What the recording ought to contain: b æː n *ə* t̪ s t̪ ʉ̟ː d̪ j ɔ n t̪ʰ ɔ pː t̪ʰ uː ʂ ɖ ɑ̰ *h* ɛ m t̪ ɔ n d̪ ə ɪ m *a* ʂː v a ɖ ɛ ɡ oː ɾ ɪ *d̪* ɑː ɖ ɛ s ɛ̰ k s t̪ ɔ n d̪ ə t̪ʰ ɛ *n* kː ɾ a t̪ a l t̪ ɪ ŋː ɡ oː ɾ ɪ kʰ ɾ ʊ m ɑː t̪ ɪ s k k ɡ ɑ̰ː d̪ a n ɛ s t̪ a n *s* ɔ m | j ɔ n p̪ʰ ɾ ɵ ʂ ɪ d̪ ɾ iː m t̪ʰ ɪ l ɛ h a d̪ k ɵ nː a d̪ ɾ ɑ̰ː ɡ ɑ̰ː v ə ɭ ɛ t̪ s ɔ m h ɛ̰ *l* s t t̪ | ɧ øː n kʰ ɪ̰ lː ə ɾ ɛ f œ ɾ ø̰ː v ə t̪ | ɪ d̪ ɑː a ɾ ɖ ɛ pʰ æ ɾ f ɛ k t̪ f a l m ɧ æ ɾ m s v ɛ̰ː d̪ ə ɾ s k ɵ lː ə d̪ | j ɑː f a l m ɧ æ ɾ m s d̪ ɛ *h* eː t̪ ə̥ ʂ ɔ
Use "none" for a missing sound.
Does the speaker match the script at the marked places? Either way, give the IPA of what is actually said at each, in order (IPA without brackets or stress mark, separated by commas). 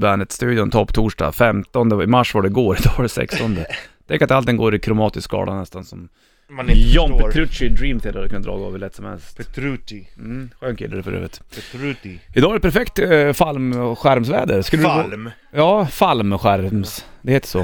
ə, f, a, d̪, ŋ, s, l, h